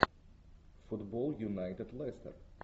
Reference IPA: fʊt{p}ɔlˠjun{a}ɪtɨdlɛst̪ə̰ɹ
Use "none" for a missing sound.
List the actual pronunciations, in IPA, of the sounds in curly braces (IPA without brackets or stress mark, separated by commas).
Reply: b, a